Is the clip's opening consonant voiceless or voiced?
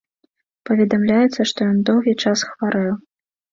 voiceless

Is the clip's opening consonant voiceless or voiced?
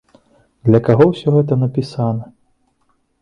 voiced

